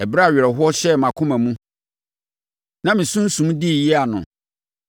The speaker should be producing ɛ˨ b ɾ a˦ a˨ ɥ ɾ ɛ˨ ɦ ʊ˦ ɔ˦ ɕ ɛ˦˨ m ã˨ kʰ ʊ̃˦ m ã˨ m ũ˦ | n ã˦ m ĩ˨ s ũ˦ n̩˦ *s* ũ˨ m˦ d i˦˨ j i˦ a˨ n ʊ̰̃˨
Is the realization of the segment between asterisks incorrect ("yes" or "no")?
no